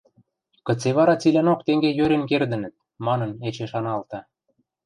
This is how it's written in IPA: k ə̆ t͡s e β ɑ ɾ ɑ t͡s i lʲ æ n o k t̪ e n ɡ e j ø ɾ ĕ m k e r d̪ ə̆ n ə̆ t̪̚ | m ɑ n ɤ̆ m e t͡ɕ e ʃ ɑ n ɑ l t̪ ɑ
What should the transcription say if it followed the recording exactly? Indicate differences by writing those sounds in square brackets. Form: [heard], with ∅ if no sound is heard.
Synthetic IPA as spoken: k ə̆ t͡s e β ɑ ɾ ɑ t͡s i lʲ æ n o k t̪ e [ŋ] ɡ e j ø ɾ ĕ [n] k e r d̪ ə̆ n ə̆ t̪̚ | m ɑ n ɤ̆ [n] e t͡ɕ e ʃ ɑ n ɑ l t̪ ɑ

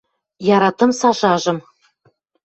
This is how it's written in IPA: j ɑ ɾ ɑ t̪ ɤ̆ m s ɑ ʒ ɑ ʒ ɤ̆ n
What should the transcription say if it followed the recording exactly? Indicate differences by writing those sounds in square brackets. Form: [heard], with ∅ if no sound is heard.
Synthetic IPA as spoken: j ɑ ɾ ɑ t̪ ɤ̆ m s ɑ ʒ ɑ ʒ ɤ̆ [m]

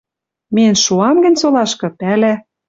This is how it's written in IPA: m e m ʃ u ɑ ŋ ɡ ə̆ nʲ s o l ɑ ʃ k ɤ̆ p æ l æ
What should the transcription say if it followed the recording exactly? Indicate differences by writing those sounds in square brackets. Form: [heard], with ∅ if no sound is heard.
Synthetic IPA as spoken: m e [n] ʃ u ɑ [m] ɡ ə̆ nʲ s o l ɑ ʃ k ɤ̆ p æ l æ

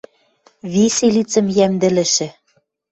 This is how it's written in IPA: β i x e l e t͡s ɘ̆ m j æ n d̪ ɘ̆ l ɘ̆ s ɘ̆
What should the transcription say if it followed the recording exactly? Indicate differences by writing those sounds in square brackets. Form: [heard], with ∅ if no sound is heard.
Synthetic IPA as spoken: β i [s] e l [i] t͡s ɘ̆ m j æ [m] d̪ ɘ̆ l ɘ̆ [ʃ] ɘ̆

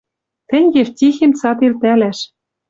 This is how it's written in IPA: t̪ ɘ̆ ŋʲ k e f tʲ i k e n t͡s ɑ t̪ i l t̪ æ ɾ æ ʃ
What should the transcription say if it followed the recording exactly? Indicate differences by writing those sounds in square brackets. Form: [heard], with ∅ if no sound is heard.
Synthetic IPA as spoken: t̪ ɘ̆ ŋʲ [ɡ] e f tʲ i [x] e [m] t͡s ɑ t̪ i l t̪ æ [l] æ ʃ

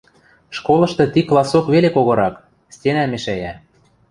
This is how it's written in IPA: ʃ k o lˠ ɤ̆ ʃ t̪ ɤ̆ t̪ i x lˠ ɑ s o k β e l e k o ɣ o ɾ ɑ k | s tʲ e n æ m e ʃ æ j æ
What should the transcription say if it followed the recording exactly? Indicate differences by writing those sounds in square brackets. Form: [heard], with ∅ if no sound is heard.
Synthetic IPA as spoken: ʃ k o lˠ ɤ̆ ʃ t̪ ɤ̆ t̪ i [k] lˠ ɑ s o k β e l e k o ɣ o ɾ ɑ k | s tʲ e n æ m e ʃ æ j æ

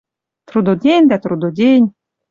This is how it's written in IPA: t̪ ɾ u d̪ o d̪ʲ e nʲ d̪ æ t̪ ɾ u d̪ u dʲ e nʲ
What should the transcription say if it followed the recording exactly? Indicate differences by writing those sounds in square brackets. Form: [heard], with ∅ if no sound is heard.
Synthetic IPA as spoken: t̪ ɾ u d̪ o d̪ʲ e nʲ d̪ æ t̪ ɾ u d̪ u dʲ e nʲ

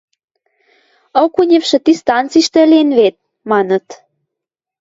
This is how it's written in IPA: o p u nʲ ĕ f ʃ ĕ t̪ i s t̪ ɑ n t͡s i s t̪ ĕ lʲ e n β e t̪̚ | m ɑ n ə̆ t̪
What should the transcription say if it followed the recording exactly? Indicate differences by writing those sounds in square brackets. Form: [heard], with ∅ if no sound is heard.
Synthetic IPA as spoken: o [k] u nʲ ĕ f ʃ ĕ t̪ i s t̪ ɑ n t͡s i [ʃ] t̪ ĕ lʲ e n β e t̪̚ | m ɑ n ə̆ t̪

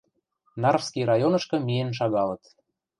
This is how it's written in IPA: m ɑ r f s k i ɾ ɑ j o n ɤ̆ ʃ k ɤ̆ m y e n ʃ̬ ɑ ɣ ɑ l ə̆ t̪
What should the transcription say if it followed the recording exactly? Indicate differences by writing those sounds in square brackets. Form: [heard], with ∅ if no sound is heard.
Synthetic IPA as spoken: [n] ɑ r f s k i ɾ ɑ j o n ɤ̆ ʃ k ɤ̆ m [i] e n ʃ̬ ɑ ɣ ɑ l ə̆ t̪

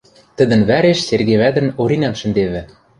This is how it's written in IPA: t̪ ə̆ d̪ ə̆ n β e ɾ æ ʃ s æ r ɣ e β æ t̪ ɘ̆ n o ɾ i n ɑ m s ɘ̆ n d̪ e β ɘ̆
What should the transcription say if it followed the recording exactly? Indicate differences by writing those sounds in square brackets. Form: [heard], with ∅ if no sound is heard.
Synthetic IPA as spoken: t̪ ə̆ d̪ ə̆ n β [æ] ɾ [e] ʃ s [e] r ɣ e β æ [d̪] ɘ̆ n o ɾ i n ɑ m [ʃ] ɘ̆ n d̪ e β ɘ̆

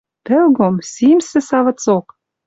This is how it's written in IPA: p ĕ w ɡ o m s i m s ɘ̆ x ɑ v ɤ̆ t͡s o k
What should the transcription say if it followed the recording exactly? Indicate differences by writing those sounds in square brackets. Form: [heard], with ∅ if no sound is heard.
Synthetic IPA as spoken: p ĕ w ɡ o m s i m s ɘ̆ [s] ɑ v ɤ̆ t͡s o k

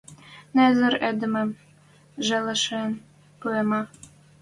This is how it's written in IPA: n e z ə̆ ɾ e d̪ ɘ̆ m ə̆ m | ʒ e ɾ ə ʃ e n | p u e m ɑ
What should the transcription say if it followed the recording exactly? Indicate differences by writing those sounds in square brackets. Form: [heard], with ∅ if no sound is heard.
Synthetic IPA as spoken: n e z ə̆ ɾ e d̪ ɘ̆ m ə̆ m | ʒ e [l] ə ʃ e n | p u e m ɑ

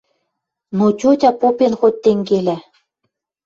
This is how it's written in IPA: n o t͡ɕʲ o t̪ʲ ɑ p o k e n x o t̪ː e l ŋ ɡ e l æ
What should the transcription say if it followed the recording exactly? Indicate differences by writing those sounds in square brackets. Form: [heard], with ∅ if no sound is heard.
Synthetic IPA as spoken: n o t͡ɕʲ o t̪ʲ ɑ p o [p] e n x o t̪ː e [∅] ŋ ɡ e l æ

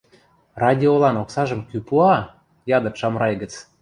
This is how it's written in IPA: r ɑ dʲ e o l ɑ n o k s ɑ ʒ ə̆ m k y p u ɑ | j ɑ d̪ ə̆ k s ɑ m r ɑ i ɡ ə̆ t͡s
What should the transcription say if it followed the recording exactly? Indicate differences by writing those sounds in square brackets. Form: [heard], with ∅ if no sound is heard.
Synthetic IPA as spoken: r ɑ dʲ [i] o l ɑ n o k s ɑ ʒ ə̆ m k y p u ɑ | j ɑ d̪ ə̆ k [ʃ] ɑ m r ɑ [j] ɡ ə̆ t͡s

